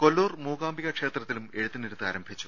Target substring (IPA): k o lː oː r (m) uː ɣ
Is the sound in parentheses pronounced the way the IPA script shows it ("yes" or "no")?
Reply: yes